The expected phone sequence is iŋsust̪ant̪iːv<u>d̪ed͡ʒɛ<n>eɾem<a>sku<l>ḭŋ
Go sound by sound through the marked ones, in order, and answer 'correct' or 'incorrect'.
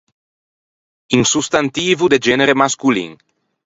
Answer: correct, correct, correct, correct

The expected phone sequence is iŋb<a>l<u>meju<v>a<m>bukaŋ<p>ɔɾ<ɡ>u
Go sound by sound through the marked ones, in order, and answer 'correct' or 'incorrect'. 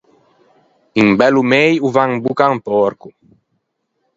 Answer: incorrect: ɛ, correct, correct, incorrect: ŋ, correct, incorrect: k

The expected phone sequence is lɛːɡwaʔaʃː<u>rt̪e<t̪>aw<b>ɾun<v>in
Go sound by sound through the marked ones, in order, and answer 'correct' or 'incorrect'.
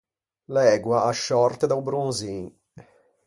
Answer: incorrect: ɔ, incorrect: d̪, correct, incorrect: z

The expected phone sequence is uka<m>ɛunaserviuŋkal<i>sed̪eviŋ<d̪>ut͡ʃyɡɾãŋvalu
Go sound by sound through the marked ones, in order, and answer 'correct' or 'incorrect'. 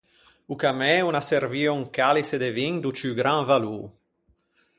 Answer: correct, correct, correct

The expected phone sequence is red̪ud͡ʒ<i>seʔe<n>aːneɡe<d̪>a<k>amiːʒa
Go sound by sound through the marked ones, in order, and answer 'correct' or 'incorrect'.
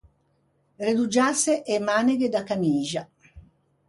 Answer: incorrect: a, incorrect: m, correct, correct

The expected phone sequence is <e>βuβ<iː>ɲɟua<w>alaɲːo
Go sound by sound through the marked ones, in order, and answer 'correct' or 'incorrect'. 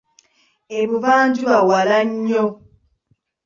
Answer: correct, incorrect: aː, correct

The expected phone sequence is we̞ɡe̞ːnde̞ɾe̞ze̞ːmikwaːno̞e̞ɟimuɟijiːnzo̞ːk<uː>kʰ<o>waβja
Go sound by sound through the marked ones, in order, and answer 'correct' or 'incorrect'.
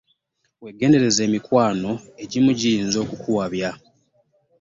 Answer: incorrect: u, incorrect: u

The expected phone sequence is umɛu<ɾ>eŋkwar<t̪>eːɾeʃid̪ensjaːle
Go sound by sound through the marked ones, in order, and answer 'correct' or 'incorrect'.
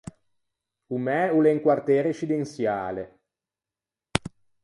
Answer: incorrect: l, correct

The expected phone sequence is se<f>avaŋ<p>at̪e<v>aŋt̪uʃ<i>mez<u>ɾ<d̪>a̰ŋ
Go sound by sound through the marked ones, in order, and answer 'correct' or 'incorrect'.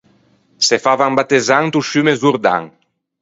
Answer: correct, incorrect: b, incorrect: z, incorrect: y, correct, correct

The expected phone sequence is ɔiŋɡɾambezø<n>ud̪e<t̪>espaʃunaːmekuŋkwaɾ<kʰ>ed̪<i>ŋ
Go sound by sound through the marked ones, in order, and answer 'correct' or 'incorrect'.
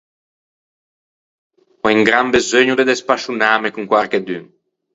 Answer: incorrect: ɲ, incorrect: d̪, incorrect: k, incorrect: y

